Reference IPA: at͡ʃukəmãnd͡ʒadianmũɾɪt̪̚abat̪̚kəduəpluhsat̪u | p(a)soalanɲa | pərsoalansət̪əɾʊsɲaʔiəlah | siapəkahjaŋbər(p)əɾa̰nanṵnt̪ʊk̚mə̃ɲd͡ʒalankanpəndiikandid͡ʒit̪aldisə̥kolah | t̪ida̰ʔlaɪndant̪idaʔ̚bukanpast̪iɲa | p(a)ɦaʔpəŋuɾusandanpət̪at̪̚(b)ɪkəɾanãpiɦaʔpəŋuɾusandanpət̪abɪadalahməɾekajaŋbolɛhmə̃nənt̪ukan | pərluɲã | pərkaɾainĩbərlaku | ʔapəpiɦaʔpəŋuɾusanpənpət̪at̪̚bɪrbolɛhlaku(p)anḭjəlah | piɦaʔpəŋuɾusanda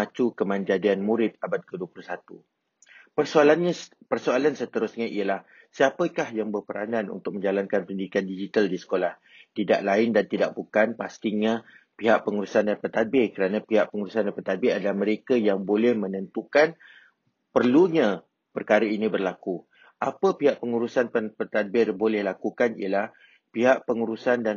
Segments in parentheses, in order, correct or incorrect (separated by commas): incorrect, correct, incorrect, correct, incorrect